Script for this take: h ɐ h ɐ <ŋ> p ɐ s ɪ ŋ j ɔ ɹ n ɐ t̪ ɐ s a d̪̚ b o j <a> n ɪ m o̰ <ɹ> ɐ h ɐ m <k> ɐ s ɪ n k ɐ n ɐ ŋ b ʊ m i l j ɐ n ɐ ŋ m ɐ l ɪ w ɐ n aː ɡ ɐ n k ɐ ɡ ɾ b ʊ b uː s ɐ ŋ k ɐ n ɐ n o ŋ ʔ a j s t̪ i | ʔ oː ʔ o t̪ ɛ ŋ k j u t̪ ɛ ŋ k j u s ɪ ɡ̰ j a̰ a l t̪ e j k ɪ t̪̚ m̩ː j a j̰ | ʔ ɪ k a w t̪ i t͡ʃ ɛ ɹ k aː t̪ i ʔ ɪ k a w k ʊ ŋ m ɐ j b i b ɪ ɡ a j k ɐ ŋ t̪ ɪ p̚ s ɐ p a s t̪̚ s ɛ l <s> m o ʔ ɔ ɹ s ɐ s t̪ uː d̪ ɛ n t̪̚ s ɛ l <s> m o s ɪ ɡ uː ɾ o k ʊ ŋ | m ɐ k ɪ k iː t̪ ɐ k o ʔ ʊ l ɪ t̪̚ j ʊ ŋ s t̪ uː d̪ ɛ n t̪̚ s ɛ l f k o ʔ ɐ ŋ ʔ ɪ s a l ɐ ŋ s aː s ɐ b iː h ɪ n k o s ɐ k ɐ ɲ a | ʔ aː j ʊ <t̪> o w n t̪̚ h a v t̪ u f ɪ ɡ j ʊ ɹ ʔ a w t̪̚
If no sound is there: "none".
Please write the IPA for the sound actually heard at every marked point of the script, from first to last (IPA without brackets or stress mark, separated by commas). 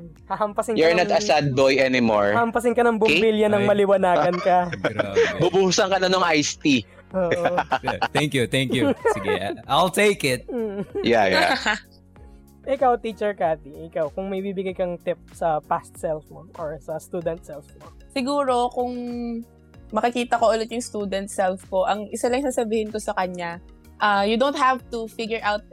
m, ɛ, ɹ, p, f, f, d̪